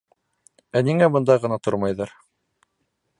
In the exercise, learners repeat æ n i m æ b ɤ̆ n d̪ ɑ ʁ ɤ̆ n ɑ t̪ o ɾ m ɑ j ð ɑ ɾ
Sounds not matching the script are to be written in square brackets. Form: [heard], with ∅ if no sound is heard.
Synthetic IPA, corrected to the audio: æ n i [ŋ] æ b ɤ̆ n d̪ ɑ ʁ ɤ̆ n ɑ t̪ o ɾ m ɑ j ð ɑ ɾ